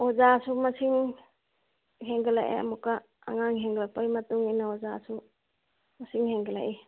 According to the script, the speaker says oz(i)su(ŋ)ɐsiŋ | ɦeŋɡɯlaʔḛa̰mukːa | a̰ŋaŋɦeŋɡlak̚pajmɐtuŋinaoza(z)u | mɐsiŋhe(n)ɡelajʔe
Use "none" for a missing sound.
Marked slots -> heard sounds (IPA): a, m, s, ŋ

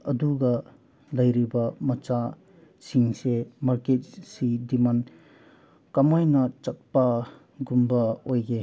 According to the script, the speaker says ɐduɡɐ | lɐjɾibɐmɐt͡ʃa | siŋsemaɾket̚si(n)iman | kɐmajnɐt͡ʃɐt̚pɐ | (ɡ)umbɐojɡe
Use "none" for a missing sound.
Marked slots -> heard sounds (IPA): d, ɡ

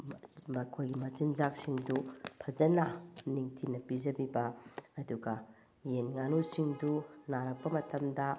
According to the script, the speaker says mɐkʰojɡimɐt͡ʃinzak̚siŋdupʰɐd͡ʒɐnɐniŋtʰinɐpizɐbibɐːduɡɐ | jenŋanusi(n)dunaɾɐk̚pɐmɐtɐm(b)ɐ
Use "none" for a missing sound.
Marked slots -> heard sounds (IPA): ŋ, d

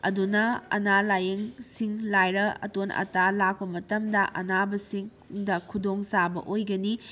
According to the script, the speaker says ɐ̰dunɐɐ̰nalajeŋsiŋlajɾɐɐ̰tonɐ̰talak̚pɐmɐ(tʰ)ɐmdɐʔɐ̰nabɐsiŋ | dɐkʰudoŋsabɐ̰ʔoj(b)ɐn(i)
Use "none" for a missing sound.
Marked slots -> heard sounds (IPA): t, ɡ, i

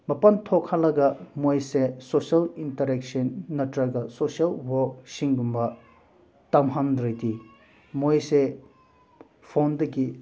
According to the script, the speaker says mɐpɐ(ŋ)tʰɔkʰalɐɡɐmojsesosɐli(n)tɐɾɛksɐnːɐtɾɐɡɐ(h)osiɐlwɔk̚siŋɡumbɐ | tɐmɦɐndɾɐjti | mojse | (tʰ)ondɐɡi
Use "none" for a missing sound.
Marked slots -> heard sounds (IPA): n, n, s, pʰ

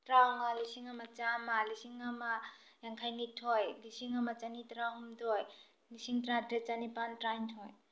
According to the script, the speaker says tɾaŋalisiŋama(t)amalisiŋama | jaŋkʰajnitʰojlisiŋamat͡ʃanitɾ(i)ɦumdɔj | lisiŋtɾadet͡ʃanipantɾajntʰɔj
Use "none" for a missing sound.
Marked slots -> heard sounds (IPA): t͡ʃ, a

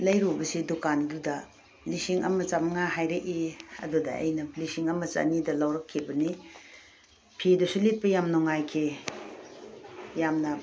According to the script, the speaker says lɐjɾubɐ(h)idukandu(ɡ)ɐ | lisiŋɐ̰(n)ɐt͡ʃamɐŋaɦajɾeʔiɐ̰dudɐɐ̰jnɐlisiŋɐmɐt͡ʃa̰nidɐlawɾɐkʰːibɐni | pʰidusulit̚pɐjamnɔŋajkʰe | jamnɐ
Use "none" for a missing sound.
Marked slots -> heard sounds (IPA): s, d, m

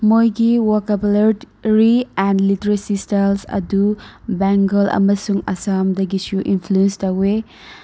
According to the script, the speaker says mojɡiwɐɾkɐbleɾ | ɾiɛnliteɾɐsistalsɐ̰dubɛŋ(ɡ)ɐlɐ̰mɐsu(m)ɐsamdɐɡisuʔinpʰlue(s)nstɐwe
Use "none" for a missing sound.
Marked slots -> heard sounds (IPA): ɡ, ŋ, none

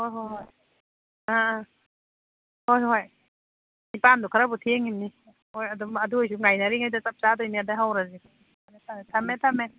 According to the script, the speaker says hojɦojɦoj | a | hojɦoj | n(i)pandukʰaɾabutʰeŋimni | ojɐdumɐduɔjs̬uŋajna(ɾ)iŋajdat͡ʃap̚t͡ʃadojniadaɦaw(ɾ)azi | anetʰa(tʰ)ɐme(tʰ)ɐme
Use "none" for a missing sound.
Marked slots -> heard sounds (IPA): i, ɾ, ɾ, tʰ, tʰ

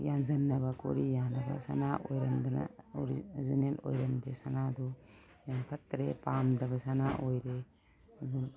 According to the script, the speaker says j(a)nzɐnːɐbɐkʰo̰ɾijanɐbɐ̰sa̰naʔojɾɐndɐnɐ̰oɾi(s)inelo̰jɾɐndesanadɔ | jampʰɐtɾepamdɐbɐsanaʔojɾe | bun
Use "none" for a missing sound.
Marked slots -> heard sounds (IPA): a, z

